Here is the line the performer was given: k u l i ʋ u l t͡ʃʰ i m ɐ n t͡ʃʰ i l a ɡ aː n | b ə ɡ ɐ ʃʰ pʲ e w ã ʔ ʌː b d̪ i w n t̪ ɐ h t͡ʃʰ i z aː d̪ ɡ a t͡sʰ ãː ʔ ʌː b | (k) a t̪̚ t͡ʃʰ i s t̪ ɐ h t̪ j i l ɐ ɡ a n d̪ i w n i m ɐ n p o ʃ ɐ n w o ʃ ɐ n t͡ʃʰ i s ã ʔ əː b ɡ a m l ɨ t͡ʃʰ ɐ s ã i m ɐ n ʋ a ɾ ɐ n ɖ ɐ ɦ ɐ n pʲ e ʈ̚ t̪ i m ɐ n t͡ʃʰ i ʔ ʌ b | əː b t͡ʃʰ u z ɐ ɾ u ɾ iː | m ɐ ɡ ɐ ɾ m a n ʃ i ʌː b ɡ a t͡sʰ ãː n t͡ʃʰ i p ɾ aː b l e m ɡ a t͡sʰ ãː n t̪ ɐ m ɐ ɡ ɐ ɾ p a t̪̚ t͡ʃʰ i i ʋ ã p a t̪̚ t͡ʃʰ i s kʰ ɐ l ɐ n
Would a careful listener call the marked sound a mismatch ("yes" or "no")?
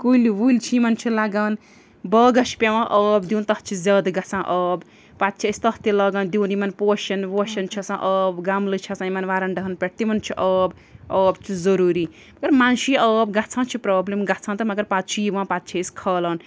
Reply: yes